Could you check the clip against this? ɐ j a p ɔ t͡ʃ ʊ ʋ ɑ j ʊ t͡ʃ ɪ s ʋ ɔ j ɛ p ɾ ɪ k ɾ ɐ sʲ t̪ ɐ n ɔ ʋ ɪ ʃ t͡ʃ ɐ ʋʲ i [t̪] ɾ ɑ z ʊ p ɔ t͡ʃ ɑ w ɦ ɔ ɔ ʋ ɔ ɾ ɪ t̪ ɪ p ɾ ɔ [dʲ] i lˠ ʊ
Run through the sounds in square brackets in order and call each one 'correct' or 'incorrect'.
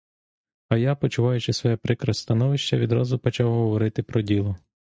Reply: incorrect, correct

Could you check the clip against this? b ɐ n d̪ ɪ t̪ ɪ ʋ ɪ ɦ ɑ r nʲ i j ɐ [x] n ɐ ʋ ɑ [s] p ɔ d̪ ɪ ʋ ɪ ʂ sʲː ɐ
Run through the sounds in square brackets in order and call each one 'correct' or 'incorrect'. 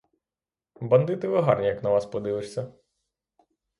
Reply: incorrect, correct

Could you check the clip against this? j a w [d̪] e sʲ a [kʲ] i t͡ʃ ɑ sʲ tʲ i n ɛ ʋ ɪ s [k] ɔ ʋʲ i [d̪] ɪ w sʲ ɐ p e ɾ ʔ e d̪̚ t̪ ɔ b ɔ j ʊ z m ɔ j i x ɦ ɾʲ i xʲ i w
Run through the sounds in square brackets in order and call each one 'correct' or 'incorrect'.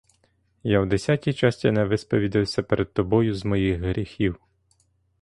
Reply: correct, incorrect, incorrect, correct

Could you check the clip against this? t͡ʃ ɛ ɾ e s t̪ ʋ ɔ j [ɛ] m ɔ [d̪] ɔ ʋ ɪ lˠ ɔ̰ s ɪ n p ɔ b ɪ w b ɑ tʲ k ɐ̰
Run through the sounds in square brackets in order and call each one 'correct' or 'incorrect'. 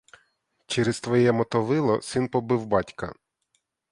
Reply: correct, incorrect

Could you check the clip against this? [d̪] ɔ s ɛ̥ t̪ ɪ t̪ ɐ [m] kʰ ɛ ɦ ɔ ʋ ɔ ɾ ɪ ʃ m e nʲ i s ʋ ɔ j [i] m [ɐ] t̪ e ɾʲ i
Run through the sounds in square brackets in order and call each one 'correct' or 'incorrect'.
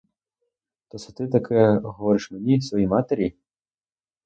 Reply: incorrect, incorrect, correct, incorrect

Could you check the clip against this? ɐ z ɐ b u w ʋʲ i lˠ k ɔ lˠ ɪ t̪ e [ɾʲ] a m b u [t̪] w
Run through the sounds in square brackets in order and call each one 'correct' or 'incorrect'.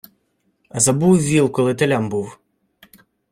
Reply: incorrect, incorrect

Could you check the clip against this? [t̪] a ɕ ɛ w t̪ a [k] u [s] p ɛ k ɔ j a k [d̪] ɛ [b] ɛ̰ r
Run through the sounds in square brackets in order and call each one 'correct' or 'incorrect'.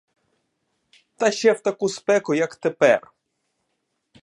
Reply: correct, correct, correct, incorrect, incorrect

